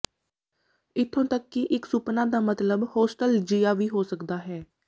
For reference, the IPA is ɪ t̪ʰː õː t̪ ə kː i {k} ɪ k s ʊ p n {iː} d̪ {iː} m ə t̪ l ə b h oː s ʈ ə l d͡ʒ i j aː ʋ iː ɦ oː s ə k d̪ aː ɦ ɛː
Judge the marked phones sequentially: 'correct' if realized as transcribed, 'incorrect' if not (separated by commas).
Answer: incorrect, incorrect, incorrect